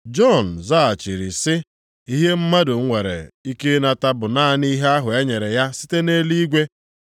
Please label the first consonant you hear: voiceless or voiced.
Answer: voiced